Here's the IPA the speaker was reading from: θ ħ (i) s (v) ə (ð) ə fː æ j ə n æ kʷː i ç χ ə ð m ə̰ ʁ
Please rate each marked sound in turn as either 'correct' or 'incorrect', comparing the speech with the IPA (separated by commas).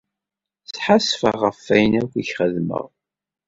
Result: incorrect, incorrect, incorrect